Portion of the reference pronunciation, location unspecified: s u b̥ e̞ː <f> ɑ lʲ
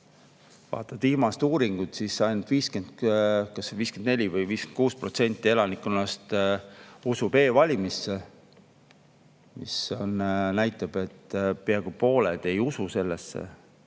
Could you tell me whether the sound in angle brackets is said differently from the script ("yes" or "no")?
yes